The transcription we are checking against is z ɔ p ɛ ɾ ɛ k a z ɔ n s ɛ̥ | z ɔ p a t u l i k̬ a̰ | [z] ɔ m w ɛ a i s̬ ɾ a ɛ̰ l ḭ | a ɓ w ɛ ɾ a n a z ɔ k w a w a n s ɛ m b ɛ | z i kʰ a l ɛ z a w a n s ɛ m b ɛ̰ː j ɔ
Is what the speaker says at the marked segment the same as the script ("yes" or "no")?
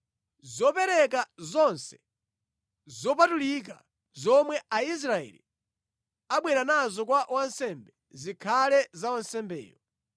yes